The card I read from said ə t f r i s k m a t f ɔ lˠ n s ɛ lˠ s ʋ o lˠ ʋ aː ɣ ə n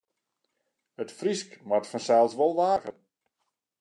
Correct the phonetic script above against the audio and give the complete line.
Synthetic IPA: ə t f r i s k m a t f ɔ n s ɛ lˠ s ʋ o lˠ ʋ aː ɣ ə n